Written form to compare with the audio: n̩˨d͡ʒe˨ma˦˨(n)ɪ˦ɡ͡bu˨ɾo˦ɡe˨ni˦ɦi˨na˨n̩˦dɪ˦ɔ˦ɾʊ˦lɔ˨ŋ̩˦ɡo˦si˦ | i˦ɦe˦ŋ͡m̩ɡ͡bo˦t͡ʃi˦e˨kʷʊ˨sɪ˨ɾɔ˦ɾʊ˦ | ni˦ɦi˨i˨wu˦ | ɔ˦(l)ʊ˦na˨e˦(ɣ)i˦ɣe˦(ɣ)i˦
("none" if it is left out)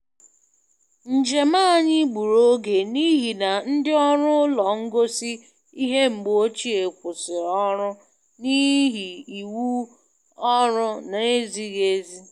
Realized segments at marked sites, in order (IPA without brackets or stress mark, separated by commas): ɲ, ɾ, z, z